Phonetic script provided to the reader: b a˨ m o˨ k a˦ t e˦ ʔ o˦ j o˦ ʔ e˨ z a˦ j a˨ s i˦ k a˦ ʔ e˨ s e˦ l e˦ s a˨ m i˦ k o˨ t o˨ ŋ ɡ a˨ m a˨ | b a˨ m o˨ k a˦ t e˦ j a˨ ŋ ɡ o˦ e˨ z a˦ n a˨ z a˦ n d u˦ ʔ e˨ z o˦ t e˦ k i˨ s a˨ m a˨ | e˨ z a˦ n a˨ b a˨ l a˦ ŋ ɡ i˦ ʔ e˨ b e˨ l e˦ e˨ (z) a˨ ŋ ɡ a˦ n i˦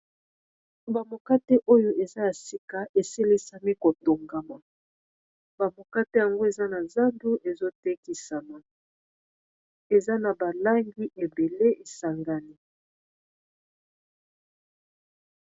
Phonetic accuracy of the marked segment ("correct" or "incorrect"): incorrect